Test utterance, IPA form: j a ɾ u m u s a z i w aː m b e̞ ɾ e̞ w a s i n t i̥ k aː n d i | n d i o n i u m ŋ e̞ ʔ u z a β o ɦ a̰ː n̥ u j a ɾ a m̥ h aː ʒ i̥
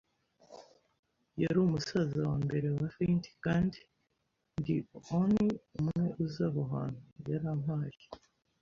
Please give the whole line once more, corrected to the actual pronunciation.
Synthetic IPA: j a ɾ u m u s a z a w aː m b e̞ ɾ e̞ w a f i n t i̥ k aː n d i | n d i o n i u m ŋ e̞ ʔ u z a β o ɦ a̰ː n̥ u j a ɾ a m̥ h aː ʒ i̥